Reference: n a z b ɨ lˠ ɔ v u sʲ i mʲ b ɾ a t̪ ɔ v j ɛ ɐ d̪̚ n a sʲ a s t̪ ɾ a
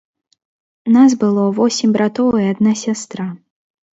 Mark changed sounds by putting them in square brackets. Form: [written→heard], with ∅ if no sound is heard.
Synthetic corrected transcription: n a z b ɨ lˠ ɔ v [u→ɔ] sʲ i mʲ b ɾ a t̪ ɔ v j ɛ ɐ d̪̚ n a sʲ a s t̪ ɾ a